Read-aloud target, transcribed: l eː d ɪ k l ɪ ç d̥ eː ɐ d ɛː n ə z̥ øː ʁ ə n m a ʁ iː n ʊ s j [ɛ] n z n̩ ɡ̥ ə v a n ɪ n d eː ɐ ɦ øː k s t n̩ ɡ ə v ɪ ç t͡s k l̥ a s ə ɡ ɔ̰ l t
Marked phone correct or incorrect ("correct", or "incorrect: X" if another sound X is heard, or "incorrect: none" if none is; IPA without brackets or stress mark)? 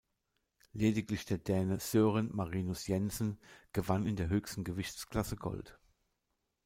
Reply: correct